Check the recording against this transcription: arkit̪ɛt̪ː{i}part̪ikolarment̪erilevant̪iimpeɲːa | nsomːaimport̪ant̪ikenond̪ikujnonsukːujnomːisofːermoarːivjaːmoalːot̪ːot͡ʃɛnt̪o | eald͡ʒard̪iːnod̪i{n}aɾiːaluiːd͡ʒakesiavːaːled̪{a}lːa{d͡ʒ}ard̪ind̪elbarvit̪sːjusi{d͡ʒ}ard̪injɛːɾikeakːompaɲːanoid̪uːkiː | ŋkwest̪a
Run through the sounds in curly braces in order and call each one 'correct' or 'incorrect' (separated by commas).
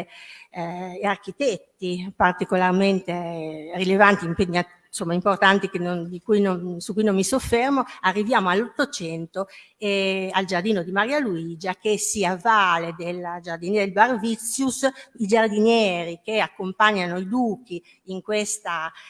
correct, incorrect, incorrect, correct, correct